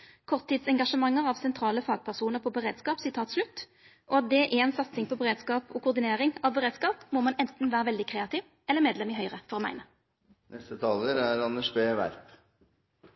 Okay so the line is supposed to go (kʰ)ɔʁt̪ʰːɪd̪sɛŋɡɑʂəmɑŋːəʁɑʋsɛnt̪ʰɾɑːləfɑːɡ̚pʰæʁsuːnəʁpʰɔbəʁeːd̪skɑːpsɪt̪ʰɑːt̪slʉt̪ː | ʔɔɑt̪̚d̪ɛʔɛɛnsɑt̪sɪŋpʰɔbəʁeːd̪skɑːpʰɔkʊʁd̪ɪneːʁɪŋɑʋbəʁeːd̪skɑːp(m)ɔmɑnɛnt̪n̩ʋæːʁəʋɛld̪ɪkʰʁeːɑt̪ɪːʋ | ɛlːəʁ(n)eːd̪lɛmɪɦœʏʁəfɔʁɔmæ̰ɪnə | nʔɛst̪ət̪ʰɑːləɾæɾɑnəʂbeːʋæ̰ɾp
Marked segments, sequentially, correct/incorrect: correct, correct, incorrect

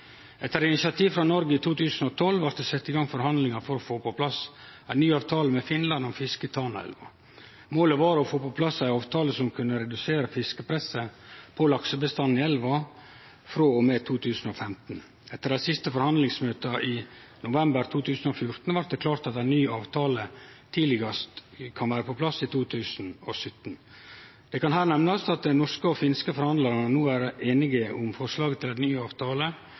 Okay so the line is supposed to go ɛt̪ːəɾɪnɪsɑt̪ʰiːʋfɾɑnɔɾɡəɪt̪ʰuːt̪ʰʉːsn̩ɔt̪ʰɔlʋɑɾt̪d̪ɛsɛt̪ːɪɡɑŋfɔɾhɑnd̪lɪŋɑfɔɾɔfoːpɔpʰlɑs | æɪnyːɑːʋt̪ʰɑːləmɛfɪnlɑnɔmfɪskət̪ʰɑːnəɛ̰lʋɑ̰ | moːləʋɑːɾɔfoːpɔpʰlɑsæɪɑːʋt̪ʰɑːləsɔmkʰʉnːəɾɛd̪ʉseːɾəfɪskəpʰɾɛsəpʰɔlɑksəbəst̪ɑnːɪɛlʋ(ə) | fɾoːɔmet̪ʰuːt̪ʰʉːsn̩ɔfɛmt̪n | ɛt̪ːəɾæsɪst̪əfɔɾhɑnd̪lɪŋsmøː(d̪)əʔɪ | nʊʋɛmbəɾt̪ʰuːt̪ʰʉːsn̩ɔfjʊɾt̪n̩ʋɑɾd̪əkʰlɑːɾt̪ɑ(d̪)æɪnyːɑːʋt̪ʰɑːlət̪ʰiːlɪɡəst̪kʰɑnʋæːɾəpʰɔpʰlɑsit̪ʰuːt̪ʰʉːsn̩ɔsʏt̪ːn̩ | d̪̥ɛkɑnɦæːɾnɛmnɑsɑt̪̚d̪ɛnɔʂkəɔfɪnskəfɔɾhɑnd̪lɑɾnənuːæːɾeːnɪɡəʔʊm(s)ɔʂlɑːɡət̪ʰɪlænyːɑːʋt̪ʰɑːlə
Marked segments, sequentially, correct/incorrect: incorrect, incorrect, incorrect, incorrect

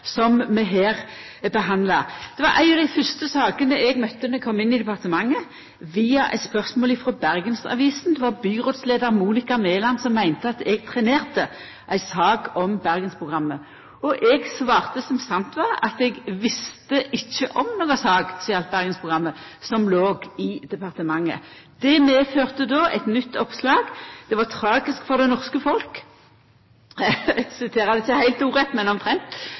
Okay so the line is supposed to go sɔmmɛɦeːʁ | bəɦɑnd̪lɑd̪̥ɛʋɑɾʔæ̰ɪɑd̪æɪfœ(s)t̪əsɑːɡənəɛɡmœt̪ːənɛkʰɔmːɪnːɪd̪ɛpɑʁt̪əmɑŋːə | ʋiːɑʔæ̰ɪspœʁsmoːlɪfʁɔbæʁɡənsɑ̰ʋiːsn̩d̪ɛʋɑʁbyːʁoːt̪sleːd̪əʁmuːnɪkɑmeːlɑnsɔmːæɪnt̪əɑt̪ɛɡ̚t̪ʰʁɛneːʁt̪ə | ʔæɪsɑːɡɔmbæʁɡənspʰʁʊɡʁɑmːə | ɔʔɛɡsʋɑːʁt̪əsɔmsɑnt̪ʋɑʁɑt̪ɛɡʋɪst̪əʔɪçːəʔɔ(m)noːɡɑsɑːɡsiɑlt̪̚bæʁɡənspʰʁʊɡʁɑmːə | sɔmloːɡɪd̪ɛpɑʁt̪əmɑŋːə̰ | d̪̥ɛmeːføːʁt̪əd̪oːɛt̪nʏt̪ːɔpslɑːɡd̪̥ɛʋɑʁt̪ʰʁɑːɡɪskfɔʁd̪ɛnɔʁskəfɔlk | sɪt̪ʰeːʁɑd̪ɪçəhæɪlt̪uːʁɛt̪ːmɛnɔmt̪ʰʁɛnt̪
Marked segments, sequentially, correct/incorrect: correct, correct

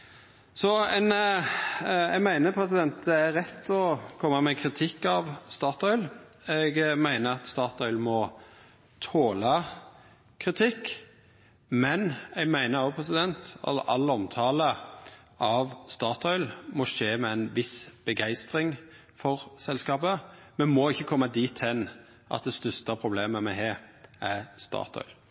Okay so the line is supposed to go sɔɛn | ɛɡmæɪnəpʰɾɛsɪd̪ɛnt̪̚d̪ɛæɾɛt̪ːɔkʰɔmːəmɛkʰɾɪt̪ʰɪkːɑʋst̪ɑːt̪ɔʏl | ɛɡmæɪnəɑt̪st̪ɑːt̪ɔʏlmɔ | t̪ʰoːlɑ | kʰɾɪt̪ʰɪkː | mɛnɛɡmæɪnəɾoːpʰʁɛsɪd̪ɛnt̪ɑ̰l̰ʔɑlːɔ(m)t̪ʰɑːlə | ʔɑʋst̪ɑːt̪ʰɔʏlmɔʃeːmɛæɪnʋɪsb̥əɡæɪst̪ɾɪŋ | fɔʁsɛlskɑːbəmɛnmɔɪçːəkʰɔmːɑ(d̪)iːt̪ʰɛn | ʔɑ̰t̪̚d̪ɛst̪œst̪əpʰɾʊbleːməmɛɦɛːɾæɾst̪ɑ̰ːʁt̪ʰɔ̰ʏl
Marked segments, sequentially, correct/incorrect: correct, correct

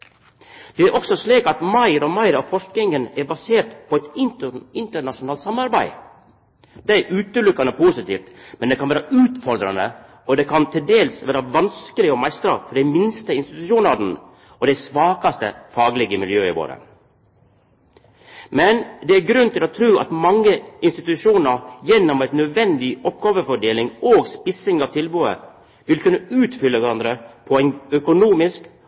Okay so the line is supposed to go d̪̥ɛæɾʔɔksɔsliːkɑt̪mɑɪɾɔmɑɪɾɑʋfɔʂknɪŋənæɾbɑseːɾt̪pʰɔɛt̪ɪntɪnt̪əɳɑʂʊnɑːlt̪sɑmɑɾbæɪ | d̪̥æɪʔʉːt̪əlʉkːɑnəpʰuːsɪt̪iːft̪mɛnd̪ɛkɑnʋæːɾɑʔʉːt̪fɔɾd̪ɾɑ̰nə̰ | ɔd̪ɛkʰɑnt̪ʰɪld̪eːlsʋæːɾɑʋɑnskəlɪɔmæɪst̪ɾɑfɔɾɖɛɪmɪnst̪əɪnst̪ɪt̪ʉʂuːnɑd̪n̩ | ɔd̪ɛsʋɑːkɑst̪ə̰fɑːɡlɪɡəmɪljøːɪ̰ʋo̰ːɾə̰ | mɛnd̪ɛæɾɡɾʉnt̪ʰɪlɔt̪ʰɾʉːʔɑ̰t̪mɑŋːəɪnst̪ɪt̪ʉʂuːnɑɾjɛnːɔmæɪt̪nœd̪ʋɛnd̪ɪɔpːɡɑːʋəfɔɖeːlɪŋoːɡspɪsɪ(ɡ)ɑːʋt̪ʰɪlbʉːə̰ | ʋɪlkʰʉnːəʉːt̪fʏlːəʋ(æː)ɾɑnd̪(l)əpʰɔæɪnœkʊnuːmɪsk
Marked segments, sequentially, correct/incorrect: incorrect, incorrect, incorrect

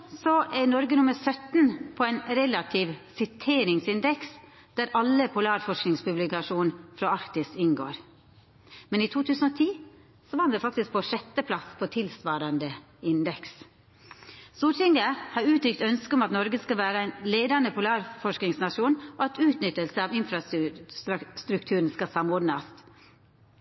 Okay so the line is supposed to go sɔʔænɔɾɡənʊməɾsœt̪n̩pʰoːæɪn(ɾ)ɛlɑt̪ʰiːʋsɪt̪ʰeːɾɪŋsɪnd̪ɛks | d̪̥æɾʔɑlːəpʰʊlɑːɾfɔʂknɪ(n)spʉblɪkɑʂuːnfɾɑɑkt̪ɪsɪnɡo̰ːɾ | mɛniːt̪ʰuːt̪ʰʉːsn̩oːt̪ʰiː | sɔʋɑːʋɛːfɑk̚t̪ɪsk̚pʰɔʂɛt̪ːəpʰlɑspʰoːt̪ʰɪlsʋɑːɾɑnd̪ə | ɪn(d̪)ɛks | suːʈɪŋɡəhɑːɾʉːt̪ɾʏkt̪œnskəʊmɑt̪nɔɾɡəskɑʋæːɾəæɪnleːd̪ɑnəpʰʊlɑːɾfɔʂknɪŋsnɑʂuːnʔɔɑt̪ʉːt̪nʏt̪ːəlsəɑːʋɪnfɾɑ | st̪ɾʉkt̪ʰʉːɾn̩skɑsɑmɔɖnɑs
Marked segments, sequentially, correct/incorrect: correct, incorrect, correct

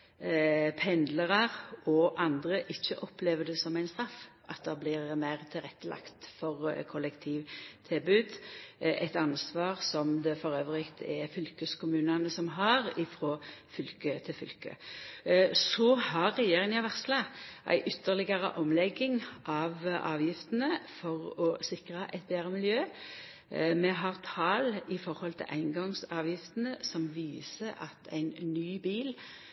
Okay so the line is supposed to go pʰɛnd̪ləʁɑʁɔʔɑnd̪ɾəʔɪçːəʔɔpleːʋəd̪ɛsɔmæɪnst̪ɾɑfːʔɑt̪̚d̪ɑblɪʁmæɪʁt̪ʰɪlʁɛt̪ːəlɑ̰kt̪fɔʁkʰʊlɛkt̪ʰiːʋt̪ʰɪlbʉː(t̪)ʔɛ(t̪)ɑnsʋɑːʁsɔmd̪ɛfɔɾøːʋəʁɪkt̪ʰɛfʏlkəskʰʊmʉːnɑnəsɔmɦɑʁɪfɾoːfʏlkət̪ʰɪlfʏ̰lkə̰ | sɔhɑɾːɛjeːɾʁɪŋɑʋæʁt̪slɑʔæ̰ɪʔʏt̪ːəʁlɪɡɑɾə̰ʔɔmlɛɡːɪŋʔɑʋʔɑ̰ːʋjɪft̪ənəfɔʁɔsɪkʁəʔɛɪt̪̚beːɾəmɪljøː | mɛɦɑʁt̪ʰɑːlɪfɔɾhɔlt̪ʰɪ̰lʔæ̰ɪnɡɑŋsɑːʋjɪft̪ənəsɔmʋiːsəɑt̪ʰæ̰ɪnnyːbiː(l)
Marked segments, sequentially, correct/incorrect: incorrect, correct, correct

